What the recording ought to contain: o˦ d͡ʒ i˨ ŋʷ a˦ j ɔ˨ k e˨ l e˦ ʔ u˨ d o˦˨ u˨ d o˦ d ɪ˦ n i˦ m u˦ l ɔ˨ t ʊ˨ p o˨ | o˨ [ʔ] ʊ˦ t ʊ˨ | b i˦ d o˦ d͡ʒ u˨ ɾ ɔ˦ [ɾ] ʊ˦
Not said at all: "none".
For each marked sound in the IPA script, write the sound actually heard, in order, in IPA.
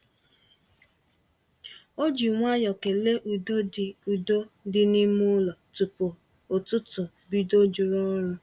t, ɾ

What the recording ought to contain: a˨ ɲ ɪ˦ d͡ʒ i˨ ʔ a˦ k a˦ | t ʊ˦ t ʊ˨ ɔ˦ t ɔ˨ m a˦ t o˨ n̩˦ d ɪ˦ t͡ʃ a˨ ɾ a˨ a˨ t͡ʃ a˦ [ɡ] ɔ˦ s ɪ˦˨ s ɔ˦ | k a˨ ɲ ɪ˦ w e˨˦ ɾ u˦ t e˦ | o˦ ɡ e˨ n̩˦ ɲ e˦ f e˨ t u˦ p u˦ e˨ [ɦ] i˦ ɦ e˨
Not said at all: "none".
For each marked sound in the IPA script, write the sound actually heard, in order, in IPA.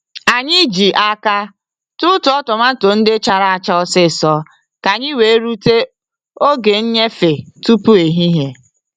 none, ɦ

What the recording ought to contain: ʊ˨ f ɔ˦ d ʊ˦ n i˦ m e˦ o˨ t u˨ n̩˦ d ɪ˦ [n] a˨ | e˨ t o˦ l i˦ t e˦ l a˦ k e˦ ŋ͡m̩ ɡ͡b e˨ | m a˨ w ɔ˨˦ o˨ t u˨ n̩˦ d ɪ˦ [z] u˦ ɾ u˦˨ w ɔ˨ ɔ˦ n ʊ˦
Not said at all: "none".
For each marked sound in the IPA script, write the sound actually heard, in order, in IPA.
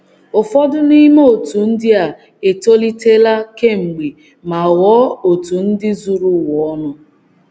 none, z

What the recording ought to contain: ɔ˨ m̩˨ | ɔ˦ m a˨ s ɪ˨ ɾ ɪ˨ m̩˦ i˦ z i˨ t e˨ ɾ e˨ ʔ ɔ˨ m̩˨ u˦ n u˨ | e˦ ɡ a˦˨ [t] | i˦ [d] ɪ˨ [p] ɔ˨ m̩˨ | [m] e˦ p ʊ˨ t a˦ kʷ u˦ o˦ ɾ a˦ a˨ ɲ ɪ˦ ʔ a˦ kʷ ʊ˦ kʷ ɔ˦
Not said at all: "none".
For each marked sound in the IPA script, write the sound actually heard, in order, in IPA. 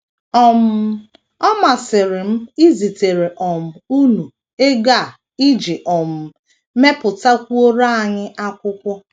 none, d͡ʒ, ʔ, m

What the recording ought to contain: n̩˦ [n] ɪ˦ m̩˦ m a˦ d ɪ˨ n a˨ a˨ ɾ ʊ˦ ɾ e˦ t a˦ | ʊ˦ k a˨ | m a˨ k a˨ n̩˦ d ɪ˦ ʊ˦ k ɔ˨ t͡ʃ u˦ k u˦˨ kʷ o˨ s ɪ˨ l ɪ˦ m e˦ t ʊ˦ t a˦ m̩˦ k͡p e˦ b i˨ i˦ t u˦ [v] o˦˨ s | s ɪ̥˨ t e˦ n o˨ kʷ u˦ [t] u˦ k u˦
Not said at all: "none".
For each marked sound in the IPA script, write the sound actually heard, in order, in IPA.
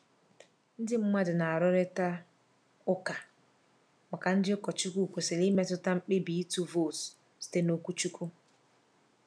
d, v, t͡ʃ

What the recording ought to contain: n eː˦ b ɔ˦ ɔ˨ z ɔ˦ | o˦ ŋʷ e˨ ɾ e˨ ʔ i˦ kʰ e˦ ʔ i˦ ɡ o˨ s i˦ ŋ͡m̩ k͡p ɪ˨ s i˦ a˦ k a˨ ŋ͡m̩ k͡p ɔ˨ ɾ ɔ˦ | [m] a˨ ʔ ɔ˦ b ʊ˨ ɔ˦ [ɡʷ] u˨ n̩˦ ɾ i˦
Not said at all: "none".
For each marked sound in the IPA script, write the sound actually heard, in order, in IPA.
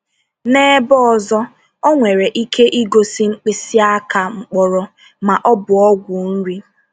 m, ɡʷ

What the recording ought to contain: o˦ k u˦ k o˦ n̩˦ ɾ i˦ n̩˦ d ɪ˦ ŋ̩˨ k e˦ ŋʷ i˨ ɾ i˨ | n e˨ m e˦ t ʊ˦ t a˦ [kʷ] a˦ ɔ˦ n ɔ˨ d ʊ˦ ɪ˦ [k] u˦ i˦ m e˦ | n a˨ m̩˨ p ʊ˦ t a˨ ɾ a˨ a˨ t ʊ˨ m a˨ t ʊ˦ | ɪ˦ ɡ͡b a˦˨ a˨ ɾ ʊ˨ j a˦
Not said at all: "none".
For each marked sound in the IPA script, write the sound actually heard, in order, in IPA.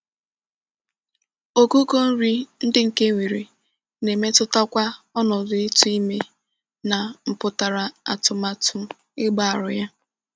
kʷ, t

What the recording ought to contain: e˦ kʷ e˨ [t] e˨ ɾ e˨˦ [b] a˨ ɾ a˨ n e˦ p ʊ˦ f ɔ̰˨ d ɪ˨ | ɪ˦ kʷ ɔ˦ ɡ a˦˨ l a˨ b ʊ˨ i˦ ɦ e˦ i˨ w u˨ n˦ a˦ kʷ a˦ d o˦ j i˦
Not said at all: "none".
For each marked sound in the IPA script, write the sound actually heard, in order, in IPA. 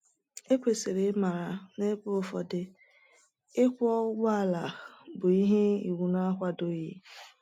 s, m

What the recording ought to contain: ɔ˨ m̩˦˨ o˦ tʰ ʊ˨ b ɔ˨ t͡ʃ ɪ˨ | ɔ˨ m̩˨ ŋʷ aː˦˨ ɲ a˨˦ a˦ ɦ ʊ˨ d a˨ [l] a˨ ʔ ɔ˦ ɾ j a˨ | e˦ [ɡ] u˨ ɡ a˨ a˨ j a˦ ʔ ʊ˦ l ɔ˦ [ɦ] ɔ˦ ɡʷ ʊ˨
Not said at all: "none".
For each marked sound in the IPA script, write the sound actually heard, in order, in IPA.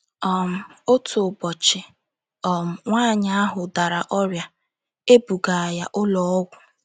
ɾ, b, none

